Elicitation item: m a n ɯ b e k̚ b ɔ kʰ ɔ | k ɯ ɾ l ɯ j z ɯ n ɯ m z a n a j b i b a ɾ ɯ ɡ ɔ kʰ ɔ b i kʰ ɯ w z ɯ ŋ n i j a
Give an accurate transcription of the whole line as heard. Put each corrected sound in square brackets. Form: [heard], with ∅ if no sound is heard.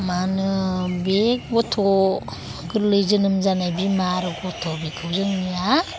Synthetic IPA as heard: m a n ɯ b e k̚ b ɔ [tʰ] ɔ | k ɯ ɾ l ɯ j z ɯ n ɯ m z a n a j b i [m] a ɾ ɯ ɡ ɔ [tʰ] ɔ b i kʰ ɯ w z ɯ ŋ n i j a